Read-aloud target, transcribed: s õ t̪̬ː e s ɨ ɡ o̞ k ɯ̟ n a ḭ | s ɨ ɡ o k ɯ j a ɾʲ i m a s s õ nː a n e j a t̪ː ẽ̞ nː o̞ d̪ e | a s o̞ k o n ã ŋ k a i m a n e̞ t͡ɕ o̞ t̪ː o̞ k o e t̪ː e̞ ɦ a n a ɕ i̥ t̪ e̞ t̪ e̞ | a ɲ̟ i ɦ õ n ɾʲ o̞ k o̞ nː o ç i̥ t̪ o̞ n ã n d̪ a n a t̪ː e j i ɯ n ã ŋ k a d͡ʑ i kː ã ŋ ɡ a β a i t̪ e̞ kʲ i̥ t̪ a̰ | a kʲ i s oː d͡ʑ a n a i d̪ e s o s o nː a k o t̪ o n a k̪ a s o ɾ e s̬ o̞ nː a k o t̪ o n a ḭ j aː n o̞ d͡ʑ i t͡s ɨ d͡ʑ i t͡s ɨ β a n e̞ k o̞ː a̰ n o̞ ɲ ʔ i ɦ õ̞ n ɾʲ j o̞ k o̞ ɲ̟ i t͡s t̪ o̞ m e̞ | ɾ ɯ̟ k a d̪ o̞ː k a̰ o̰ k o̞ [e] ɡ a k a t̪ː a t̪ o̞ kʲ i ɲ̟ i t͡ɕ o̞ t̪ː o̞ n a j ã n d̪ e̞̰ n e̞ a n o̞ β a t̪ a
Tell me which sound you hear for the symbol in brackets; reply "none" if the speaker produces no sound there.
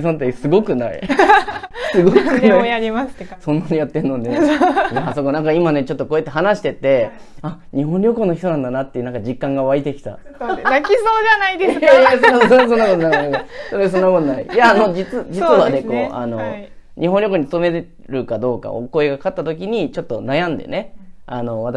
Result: e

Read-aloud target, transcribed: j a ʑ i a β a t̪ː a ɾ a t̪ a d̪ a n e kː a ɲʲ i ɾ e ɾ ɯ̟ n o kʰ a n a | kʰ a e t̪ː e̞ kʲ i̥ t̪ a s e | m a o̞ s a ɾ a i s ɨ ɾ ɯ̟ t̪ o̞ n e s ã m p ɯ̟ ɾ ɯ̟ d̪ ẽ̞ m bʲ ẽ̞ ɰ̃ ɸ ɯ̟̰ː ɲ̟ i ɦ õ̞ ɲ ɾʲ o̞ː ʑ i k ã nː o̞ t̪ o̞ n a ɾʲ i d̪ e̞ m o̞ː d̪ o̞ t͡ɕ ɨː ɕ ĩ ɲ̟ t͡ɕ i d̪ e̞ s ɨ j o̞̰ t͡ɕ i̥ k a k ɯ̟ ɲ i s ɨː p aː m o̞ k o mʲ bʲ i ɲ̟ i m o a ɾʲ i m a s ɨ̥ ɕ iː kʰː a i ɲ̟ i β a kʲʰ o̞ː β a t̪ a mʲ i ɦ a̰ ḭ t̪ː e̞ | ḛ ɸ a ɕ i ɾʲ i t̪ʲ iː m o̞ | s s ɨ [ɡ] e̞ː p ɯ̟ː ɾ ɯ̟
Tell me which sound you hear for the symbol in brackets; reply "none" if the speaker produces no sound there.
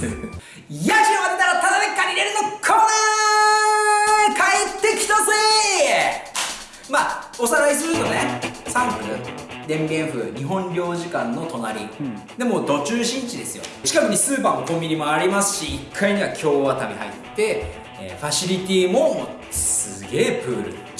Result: ɡ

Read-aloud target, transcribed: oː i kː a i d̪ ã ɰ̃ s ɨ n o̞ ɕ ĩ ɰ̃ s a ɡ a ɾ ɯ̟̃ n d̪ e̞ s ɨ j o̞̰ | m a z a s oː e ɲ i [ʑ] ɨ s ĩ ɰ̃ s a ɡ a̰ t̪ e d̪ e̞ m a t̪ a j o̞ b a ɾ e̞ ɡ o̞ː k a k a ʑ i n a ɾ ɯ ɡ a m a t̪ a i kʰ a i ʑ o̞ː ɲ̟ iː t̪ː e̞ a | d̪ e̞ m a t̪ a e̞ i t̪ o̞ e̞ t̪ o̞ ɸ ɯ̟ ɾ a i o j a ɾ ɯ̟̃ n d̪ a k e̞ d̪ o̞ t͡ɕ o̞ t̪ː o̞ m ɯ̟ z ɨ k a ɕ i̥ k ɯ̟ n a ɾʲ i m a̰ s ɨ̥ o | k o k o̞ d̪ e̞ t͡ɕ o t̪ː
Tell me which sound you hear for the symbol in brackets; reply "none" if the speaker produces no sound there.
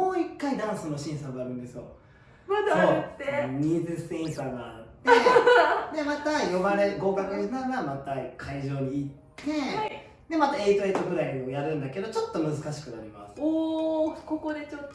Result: z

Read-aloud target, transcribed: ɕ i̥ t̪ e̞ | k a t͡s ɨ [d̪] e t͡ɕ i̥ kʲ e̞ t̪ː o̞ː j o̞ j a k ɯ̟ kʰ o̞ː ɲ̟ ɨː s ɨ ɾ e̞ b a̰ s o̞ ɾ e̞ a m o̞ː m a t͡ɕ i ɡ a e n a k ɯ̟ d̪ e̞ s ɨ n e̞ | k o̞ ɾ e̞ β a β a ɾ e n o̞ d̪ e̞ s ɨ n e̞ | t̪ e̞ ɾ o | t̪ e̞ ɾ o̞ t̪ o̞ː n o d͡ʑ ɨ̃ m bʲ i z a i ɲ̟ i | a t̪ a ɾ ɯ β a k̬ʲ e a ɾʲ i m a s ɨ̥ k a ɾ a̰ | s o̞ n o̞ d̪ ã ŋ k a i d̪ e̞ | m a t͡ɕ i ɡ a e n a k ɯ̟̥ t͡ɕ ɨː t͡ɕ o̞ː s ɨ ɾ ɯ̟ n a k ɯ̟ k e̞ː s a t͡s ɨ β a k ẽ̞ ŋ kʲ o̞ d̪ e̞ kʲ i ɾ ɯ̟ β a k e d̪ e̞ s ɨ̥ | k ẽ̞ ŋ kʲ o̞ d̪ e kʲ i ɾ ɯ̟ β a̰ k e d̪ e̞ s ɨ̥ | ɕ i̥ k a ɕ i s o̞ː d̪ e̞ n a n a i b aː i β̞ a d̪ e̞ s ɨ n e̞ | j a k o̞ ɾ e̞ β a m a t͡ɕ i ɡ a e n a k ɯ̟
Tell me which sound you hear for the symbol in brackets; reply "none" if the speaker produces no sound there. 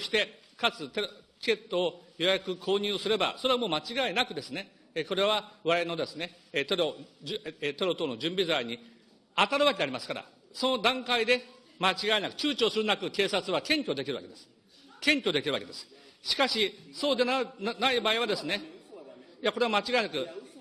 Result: t̪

